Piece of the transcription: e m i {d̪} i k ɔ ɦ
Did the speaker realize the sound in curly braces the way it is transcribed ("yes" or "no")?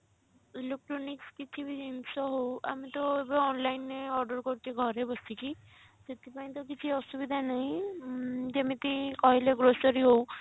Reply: no